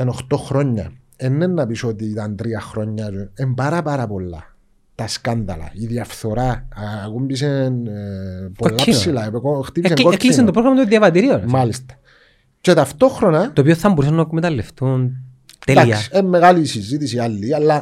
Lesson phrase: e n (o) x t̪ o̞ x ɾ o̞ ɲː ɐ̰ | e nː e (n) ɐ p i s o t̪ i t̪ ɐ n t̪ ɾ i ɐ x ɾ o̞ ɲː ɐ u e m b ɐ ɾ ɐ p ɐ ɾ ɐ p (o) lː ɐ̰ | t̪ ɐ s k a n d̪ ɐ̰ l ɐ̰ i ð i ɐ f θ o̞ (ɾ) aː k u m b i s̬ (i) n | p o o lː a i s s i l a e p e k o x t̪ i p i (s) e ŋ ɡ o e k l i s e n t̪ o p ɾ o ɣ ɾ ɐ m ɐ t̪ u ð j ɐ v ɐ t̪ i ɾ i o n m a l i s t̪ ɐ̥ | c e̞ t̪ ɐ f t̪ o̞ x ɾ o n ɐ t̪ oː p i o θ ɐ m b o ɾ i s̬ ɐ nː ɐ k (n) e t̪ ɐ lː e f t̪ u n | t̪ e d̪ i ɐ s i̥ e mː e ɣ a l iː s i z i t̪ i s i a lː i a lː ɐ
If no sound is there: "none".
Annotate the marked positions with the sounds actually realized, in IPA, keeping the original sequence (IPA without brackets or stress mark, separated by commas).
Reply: o, nː, o, ɾ, e, s, m